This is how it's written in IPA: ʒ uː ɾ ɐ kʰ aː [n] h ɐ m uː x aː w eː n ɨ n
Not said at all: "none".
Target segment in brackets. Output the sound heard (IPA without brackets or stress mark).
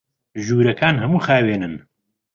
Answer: n